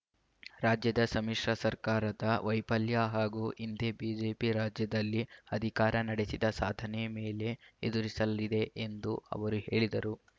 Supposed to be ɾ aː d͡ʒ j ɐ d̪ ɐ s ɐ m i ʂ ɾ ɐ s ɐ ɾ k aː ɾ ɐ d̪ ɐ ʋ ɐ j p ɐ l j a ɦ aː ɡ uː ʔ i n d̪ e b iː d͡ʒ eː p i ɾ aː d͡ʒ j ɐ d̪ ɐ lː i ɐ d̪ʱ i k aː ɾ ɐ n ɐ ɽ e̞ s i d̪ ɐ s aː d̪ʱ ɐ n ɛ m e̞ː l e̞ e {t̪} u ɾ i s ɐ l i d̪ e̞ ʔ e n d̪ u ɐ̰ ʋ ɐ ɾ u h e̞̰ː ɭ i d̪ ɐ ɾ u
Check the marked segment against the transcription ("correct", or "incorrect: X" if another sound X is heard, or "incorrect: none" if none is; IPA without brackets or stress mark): incorrect: d̪